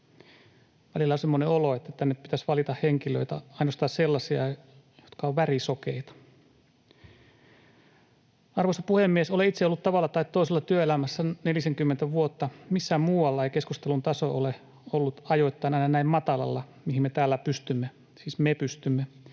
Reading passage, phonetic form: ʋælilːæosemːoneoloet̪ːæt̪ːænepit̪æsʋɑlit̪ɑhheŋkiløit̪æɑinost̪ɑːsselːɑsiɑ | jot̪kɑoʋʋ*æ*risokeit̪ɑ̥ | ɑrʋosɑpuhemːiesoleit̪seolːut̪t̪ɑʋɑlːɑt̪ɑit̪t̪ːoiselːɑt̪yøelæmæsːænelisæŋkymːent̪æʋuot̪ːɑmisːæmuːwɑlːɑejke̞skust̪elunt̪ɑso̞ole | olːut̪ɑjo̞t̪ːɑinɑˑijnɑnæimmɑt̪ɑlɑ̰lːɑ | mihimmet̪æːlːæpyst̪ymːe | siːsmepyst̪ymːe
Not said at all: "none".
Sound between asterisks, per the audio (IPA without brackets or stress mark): æ